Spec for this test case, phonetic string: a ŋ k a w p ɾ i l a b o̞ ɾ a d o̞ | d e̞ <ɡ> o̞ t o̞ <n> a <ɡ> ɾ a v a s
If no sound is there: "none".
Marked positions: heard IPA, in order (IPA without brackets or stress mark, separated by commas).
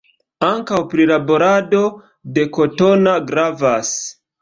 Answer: k, n, ɡ